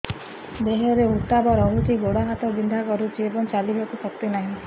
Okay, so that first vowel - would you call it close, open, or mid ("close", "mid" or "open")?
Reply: mid